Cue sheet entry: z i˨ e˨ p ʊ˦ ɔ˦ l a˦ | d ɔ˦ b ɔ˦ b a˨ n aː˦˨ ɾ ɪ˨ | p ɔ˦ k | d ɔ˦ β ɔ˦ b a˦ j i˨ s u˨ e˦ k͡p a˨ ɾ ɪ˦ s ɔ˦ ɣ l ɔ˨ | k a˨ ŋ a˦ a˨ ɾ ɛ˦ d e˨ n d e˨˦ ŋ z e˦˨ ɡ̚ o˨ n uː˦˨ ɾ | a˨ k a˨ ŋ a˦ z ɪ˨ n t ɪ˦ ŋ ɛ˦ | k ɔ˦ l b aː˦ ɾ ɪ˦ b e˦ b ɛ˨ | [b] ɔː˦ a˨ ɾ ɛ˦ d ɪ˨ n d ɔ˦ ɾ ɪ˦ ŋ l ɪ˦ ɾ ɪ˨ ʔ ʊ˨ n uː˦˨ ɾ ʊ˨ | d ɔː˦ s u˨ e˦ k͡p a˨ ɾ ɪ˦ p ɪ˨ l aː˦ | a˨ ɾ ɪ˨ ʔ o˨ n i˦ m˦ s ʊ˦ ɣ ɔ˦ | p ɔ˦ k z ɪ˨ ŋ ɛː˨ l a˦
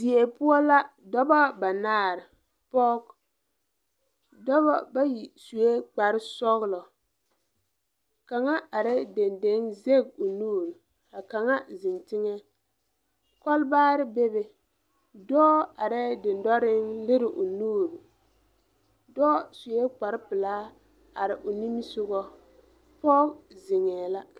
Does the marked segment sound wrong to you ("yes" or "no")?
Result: yes